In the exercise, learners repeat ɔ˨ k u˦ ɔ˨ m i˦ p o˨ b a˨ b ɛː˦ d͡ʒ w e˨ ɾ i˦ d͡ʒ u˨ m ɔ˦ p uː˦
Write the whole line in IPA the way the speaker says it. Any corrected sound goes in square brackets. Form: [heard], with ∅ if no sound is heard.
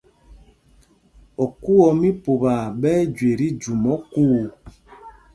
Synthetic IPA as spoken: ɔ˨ k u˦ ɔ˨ m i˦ p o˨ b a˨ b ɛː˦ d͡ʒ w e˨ ɾ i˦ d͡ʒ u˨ m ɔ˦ [k] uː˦